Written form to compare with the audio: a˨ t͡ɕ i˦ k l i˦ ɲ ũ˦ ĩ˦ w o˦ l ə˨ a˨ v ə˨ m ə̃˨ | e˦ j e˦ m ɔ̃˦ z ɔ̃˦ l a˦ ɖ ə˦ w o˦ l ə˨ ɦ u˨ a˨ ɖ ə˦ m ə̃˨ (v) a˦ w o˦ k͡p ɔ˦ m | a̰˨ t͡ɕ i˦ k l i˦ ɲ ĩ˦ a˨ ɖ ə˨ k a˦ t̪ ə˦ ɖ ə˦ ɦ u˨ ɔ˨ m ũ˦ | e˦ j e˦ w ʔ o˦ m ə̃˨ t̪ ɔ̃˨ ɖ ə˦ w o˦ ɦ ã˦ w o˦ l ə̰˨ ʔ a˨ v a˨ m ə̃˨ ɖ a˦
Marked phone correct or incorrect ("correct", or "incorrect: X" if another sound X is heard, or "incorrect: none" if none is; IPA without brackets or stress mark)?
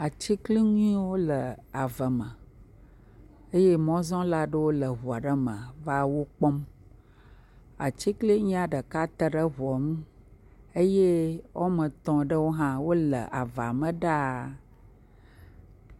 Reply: correct